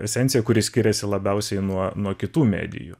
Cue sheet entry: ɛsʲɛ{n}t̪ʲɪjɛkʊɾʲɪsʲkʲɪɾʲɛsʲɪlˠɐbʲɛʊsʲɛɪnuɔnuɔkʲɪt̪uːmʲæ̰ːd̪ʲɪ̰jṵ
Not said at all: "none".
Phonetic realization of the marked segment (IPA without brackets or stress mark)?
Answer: n